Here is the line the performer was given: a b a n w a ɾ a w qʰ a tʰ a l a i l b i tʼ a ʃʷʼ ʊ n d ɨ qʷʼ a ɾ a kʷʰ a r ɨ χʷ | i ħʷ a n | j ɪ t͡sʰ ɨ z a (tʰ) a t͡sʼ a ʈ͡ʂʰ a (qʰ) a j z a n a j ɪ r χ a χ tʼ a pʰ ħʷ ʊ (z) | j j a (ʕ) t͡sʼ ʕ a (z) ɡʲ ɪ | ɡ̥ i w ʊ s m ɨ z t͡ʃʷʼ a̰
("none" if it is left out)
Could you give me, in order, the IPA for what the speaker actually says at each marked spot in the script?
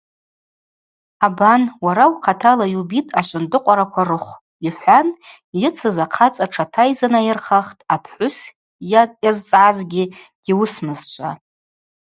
qʰ, tʰ, s, z, z

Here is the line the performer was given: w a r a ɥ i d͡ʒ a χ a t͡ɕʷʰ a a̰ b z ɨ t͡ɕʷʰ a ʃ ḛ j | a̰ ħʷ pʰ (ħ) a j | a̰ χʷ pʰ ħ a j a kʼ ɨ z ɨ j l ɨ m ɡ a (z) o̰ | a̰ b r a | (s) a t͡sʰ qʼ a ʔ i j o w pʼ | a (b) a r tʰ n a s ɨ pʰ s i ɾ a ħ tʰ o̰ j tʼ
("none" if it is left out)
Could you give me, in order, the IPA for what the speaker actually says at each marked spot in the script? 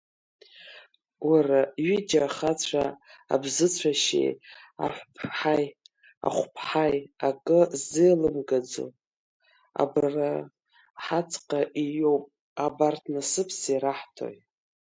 ħ, d͡z, ħ, b

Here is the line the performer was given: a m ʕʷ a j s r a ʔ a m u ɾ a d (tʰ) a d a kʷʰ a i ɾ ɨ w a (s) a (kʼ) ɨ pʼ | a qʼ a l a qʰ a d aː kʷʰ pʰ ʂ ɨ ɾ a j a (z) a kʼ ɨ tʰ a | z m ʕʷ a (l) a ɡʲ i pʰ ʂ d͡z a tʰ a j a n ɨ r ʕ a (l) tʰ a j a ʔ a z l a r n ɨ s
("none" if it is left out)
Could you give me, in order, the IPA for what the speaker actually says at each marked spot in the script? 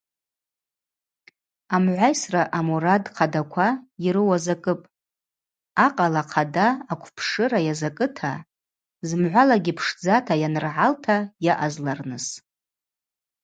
qʰ, z, kʼ, z, l, l

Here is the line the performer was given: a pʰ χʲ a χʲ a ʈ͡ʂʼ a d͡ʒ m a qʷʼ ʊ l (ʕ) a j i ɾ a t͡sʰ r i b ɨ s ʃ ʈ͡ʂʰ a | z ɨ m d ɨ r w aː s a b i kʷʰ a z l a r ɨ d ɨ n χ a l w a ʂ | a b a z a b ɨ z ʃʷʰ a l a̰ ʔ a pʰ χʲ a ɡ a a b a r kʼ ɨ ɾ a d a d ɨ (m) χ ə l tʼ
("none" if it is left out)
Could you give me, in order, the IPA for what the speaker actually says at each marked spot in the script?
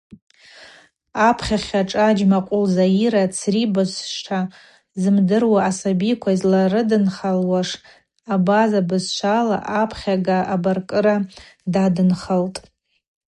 z, n

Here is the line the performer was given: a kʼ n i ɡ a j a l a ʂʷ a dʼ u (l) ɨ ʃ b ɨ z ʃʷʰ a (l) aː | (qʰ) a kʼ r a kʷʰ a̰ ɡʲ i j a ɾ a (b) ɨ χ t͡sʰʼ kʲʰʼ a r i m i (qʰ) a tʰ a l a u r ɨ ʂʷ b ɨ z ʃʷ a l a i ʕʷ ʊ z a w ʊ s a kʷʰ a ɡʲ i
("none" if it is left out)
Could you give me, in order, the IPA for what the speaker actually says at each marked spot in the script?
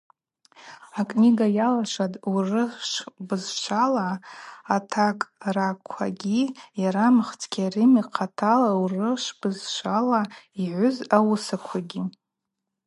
r, l, tʰ, m, qʰ

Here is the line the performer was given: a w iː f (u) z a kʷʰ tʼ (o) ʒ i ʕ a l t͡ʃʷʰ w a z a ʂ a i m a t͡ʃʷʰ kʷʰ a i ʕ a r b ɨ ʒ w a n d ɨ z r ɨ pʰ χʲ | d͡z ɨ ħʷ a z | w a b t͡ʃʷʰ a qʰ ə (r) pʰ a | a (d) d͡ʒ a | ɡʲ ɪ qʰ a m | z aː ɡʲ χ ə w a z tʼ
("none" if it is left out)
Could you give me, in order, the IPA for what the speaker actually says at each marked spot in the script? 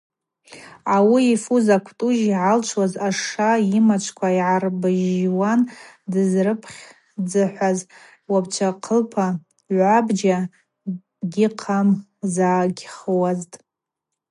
u, u, l, b

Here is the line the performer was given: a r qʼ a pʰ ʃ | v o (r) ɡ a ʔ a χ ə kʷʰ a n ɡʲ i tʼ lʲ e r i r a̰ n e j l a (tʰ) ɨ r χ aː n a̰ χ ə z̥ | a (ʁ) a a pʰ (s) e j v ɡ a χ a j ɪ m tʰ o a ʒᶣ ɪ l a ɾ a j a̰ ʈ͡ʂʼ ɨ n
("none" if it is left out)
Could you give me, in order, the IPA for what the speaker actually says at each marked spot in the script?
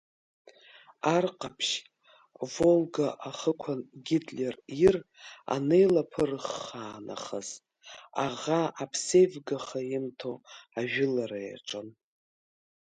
l, pʰ, ʁ, s

